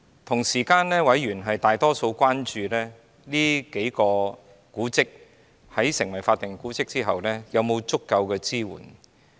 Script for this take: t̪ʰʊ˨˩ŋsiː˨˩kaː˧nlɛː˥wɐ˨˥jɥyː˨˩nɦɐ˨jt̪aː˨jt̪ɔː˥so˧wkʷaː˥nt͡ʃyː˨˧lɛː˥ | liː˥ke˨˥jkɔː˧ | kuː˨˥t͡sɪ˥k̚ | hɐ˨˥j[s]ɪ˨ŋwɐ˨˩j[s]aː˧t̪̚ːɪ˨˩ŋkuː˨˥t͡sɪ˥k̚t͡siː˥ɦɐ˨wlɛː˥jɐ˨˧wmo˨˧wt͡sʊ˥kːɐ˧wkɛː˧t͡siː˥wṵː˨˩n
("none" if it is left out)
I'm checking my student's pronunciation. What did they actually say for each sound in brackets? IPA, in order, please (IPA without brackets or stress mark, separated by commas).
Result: s, f